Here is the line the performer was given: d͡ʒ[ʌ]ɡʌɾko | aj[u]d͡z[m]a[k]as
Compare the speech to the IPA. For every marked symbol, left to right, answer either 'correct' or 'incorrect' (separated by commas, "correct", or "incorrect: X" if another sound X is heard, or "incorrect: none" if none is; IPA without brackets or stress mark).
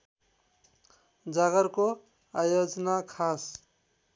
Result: incorrect: a, incorrect: o, incorrect: n, incorrect: kʰ